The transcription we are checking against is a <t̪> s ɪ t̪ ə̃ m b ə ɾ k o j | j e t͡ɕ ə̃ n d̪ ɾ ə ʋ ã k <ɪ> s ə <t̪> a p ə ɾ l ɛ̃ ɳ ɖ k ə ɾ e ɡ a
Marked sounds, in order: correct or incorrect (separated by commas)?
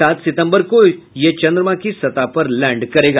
correct, incorrect, correct